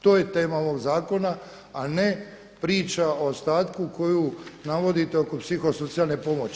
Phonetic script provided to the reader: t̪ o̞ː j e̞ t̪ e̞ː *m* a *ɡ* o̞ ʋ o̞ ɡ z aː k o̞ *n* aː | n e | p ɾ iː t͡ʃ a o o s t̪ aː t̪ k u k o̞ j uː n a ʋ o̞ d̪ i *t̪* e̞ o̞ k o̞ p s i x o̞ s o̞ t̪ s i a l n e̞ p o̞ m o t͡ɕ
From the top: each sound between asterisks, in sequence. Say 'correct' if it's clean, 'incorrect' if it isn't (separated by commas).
correct, incorrect, correct, correct